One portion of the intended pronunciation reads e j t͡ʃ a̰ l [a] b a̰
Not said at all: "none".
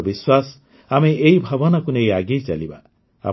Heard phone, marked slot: i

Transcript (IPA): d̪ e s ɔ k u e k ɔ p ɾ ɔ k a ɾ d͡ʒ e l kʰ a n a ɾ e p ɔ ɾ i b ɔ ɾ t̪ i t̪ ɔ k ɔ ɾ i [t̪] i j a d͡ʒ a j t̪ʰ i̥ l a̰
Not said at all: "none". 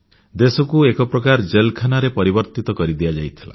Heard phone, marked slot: d̪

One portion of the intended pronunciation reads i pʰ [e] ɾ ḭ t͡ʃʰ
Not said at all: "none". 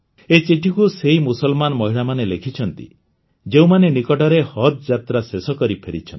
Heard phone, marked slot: e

